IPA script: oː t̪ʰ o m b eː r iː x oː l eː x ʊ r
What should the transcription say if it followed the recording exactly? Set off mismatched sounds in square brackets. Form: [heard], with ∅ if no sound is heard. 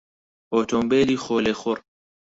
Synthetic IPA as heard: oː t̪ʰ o m b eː [l] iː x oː l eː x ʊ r